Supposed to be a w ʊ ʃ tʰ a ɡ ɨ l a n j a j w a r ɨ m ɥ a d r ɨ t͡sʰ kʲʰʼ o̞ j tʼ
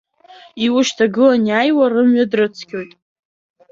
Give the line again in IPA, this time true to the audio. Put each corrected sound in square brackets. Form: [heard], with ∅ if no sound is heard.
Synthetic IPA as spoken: [i] w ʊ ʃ tʰ a ɡ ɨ l a n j a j w a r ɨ m ɥ a d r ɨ t͡sʰ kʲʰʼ o̞ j tʼ